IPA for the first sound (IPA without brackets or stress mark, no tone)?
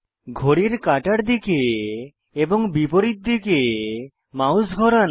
ɡʱ